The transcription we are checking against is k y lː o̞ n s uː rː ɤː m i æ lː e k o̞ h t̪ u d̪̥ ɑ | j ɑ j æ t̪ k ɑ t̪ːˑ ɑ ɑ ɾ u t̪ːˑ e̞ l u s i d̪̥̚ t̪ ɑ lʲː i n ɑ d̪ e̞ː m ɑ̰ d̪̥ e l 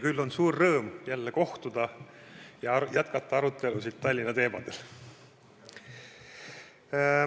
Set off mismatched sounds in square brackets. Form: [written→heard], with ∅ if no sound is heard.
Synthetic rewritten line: k y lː o̞ n s uː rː ɤː m [i→j] æ lː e k o̞ h t̪ u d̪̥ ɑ | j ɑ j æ t̪ k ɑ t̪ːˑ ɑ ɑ ɾ u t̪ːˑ e̞ l u s i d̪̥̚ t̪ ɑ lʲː i n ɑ [d̪→t̪] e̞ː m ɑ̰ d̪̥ e l